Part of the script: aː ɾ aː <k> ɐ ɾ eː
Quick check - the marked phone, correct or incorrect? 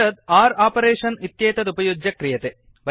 incorrect